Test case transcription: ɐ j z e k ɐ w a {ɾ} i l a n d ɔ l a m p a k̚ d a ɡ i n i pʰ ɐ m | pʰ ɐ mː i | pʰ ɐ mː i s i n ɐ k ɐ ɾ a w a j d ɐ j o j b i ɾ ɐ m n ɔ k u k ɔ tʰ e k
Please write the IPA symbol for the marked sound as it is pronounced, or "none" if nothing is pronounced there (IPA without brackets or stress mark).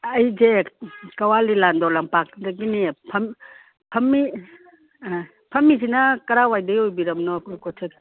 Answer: l